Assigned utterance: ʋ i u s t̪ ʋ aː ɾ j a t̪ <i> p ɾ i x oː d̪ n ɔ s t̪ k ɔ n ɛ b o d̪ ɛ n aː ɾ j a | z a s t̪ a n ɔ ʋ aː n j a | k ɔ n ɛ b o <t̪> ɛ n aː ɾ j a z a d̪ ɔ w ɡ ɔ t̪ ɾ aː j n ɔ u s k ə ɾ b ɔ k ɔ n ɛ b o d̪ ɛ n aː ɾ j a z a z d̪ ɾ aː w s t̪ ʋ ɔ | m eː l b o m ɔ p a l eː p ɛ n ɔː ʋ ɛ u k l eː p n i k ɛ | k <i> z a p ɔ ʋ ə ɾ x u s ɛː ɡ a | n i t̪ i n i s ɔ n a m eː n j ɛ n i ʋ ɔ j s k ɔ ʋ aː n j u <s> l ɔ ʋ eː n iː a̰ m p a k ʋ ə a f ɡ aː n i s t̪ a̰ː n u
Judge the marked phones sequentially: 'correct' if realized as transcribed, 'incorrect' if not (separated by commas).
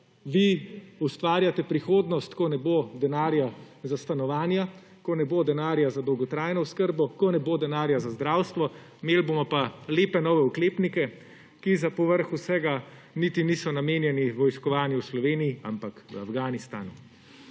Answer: incorrect, incorrect, correct, correct